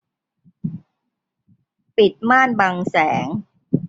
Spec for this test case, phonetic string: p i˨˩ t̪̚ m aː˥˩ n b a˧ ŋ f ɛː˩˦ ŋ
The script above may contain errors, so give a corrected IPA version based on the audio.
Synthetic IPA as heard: p i˨˩ t̪̚ m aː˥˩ n b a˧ ŋ s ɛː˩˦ ŋ